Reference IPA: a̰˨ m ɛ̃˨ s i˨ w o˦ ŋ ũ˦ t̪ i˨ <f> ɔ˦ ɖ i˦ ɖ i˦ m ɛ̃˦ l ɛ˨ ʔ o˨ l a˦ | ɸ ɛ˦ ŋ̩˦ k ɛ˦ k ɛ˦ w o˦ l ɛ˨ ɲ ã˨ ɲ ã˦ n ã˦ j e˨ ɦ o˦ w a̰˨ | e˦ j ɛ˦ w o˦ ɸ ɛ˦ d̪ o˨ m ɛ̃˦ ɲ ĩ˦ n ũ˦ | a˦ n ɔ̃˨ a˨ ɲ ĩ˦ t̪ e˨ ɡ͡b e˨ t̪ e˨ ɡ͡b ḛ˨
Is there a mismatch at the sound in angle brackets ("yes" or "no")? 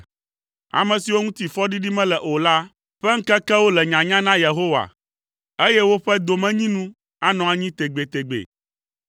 no